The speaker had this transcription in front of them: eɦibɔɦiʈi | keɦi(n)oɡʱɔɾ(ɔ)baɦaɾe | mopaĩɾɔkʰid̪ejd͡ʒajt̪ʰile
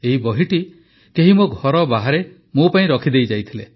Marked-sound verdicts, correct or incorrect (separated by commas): incorrect, correct